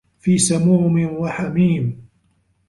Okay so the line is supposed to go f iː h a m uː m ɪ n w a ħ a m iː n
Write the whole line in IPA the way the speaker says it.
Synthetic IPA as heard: f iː s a m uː m ɪ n w a ħ a m iː m